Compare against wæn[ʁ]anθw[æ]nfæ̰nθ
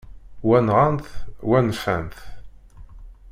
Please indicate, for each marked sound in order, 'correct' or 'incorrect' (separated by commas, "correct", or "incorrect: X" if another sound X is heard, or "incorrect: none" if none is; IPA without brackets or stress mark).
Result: correct, correct